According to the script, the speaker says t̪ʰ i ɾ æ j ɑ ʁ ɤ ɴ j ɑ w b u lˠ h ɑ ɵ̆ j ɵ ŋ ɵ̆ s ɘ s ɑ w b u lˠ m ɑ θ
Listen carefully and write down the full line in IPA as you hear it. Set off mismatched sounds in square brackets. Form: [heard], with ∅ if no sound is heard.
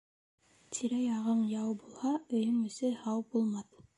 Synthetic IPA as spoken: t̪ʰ i ɾ æ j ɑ ʁ ɤ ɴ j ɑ w b u lˠ h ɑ ɵ̆ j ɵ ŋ ɵ̆ s ɘ [h] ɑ w b u lˠ m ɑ θ